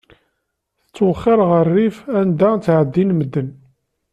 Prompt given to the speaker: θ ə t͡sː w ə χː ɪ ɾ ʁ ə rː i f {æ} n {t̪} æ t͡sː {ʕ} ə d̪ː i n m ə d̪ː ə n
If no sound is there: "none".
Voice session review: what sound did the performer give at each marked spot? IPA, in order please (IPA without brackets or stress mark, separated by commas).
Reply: æ, d̪, ʕ